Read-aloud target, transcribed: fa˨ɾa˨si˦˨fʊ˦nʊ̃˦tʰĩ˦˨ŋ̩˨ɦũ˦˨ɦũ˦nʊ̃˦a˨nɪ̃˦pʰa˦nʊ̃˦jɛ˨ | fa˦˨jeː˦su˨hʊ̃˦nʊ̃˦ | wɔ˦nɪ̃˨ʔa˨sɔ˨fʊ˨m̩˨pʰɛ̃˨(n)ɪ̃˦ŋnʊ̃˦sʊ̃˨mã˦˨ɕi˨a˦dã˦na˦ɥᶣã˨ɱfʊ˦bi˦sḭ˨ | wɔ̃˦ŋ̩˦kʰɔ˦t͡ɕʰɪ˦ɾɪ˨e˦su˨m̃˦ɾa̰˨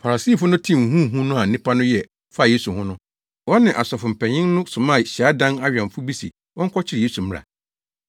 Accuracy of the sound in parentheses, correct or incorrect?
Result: incorrect